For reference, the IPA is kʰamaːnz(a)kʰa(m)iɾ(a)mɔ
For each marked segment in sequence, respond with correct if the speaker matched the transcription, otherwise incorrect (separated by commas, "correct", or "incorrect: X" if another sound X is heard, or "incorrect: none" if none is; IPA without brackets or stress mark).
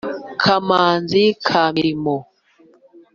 incorrect: i, correct, incorrect: i